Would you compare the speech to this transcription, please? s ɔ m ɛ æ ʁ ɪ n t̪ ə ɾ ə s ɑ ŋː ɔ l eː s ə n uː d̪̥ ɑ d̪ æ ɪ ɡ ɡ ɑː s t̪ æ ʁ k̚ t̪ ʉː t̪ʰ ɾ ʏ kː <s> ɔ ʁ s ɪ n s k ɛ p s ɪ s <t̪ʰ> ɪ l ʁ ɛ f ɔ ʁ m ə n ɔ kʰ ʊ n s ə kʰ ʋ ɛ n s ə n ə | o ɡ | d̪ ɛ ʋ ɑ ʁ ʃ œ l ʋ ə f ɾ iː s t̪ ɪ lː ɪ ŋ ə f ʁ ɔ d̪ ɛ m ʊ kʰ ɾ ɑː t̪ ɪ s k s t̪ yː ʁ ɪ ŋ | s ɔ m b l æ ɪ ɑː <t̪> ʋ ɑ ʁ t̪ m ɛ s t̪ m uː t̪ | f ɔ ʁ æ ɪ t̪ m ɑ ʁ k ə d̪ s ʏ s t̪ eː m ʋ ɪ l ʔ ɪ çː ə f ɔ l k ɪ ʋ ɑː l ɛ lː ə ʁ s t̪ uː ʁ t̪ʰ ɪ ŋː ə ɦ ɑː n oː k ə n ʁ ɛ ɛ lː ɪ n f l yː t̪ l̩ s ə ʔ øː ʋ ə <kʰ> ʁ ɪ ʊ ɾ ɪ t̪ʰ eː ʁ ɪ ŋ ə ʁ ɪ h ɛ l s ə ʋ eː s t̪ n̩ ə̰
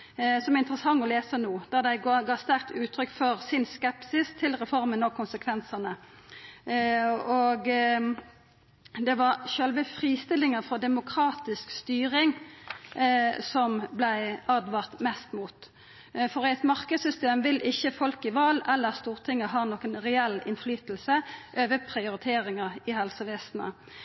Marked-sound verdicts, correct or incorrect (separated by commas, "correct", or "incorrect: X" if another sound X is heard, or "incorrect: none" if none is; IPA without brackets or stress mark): incorrect: f, correct, incorrect: d̪, incorrect: pʰ